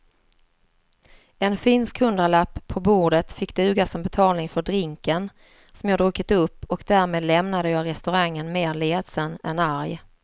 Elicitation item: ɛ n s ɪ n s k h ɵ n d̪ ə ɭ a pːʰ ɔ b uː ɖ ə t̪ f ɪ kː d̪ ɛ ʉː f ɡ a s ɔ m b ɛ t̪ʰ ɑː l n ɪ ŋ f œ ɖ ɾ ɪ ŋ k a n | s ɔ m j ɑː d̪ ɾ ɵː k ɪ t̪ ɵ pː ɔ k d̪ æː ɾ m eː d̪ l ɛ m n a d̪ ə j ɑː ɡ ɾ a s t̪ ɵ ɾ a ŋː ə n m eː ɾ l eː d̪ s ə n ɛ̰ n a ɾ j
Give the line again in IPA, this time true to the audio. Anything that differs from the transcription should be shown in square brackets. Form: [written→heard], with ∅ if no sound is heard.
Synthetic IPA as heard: ɛ n [s→f] ɪ n s k h ɵ n d̪ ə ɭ a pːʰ ɔ b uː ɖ ə t̪ f ɪ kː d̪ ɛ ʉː [f→∅] ɡ a s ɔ m b ɛ t̪ʰ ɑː l n ɪ ŋ f œ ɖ ɾ ɪ ŋ k [a→ə] n | s ɔ m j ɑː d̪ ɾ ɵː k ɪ t̪ ɵ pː ɔ k d̪ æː ɾ m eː d̪ l ɛ m n a d̪ ə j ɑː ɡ ɾ [a→ɛ] s t̪ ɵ ɾ a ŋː ə n m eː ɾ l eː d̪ s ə n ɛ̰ n a ɾ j

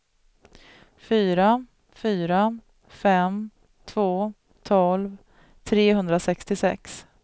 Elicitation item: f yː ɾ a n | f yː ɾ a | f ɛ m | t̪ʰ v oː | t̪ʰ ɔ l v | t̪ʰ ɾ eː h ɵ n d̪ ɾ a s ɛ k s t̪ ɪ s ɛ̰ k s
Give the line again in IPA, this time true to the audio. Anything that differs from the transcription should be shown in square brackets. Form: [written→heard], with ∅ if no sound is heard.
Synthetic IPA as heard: f yː ɾ a [n→∅] | f yː ɾ a | f ɛ m | t̪ʰ v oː | t̪ʰ ɔ l v | t̪ʰ ɾ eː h ɵ n d̪ ɾ a s ɛ k s t̪ ɪ s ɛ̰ k s

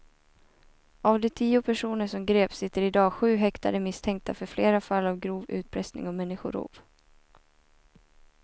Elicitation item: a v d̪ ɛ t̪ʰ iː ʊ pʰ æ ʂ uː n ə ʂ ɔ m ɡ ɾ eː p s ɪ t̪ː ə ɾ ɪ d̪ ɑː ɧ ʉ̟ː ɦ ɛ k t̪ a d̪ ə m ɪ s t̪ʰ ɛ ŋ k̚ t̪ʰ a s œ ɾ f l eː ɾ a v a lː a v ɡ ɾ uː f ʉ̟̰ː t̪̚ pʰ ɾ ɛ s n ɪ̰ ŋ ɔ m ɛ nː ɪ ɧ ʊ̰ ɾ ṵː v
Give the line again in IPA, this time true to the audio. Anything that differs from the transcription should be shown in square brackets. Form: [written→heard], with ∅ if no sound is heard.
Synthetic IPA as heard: a v d̪ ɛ t̪ʰ iː ʊ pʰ æ ʂ uː n ə ʂ ɔ m ɡ ɾ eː p s ɪ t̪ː ə ɾ ɪ d̪ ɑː ɧ ʉ̟ː ɦ ɛ k t̪ a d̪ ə m ɪ s t̪ʰ ɛ ŋ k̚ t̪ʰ a [s→f] œ ɾ f l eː ɾ a [v→f] a lː a v ɡ ɾ uː [f→v] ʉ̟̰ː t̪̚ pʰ ɾ ɛ s n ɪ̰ ŋ ɔ m ɛ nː ɪ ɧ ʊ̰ ɾ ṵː v

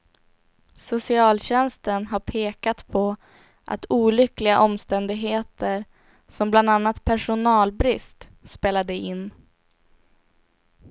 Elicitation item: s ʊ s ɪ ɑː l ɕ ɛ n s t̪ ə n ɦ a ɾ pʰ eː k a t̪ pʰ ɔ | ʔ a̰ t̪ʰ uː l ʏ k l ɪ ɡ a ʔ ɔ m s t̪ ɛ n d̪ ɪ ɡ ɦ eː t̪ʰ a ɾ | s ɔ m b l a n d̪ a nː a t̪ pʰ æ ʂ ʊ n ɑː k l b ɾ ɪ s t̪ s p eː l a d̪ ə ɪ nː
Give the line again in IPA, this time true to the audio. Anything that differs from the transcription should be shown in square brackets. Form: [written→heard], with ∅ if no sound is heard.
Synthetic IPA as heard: s ʊ s ɪ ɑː l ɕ ɛ n s t̪ ə n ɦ a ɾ pʰ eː k a t̪ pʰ ɔ | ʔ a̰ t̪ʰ uː l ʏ k l ɪ ɡ a ʔ ɔ m s t̪ ɛ n d̪ ɪ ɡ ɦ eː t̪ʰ [a→ə] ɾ | s ɔ m b l a n d̪ a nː a t̪ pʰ æ ʂ ʊ n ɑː [k→∅] l b ɾ ɪ s t̪ s p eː l a d̪ ə ɪ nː

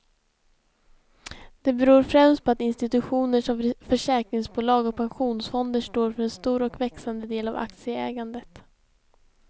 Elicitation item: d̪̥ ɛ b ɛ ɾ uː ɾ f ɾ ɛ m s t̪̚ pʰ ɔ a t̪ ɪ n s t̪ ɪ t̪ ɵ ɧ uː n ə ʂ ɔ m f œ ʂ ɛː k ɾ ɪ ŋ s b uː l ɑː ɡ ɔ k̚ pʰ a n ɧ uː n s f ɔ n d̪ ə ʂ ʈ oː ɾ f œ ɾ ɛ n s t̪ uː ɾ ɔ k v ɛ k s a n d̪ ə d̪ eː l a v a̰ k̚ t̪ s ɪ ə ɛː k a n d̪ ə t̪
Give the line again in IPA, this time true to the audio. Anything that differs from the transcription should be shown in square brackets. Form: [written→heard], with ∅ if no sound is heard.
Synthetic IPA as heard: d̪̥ ɛ b ɛ ɾ uː ɾ f ɾ ɛ m s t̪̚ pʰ ɔ a t̪ ɪ n s t̪ ɪ t̪ ɵ ɧ uː n ə ʂ ɔ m f œ ʂ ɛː k ɾ ɪ ŋ s b uː l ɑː ɡ ɔ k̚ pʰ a n ɧ uː n s f ɔ n d̪ ə ʂ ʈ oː ɾ f œ ɾ ɛ n s t̪ uː ɾ ɔ k v ɛ k s a n d̪ ə d̪ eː l a v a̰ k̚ t̪ s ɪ ə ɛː [k→ɡ] a n d̪ ə t̪

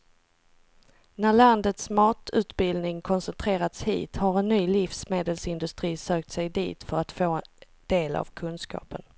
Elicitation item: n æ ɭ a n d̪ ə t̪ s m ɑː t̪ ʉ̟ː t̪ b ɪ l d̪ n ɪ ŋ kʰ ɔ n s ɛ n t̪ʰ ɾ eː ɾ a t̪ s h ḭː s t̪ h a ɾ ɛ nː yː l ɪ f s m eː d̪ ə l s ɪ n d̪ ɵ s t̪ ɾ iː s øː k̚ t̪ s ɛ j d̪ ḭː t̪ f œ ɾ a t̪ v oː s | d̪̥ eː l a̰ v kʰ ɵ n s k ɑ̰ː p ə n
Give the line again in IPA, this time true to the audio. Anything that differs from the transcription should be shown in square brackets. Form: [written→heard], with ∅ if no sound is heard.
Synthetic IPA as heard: n æ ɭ a n d̪ ə t̪ s m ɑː t̪ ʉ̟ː t̪ b ɪ l d̪ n ɪ ŋ kʰ ɔ n s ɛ n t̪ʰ ɾ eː ɾ a t̪ s h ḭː [s→∅] t̪ h a ɾ ɛ nː yː l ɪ f s m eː d̪ ə l s ɪ n d̪ ɵ s t̪ ɾ iː s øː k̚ t̪ s ɛ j d̪ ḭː t̪ f œ ɾ a t̪ [v→f] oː [s→∅] | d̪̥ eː l a̰ v kʰ ɵ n s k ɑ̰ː p ə n

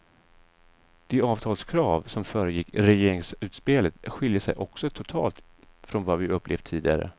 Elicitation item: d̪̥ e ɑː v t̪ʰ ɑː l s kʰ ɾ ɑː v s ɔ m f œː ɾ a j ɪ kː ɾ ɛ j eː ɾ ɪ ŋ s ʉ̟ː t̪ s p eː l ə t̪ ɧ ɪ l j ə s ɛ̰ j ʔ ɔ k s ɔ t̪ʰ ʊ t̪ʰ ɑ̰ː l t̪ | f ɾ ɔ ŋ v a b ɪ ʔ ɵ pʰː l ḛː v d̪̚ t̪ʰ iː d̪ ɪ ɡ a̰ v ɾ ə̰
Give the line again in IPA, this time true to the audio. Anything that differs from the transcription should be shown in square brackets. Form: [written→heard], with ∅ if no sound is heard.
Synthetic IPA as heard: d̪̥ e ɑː v t̪ʰ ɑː l s kʰ ɾ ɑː v s ɔ m f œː ɾ [a→ə] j ɪ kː ɾ ɛ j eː ɾ ɪ ŋ s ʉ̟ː t̪ s p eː l ə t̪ ɧ ɪ l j ə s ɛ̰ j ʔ ɔ k s ɔ t̪ʰ ʊ t̪ʰ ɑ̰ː l t̪ | f ɾ ɔ [ŋ→n] v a [b→v] ɪ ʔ ɵ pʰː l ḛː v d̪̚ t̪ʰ iː d̪ ɪ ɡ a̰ [v→∅] ɾ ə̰

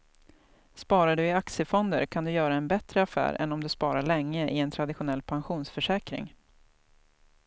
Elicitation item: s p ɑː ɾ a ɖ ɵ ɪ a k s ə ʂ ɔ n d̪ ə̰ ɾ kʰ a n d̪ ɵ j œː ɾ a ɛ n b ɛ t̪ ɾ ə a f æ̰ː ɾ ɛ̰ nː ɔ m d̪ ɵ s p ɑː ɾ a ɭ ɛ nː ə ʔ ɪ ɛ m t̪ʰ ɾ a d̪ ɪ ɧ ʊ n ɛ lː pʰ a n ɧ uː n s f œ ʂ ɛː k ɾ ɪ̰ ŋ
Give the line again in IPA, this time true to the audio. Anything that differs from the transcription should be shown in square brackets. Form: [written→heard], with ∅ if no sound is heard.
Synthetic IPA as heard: s p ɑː ɾ a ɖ ɵ ɪ a k s ə [ʂ→f] ɔ n d̪ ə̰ ɾ kʰ a n d̪ ɵ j œː ɾ a ɛ n b ɛ t̪ ɾ ə a f æ̰ː ɾ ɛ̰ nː ɔ m d̪ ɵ s p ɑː ɾ a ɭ ɛ [nː→ŋː] ə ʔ ɪ ɛ [m→n] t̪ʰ ɾ a d̪ ɪ ɧ ʊ n ɛ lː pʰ a n ɧ uː n s f œ ʂ ɛː k ɾ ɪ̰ ŋ

